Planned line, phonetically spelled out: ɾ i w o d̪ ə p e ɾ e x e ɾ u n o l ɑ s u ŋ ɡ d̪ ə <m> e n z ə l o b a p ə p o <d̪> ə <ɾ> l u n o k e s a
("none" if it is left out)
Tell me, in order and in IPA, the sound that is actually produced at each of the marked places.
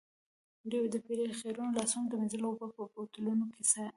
m, t̪, none

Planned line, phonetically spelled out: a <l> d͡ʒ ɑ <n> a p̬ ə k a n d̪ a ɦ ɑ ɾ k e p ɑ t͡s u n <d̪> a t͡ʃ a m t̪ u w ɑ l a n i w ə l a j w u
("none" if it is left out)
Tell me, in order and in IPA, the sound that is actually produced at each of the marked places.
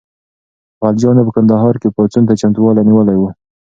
l, n, t̪

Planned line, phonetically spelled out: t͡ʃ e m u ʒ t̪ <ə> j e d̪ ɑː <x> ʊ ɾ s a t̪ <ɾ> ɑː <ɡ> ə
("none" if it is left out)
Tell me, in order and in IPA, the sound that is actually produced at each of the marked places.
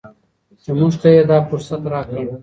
a, f, ɾ, k

